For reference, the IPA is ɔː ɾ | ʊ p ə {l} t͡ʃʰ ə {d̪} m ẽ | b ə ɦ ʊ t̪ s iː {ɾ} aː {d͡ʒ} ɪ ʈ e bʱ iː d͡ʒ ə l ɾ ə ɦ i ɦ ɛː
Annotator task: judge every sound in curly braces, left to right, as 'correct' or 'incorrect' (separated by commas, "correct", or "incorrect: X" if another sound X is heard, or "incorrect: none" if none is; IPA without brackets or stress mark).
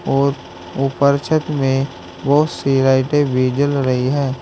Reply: incorrect: ɾ, incorrect: t̪, correct, incorrect: none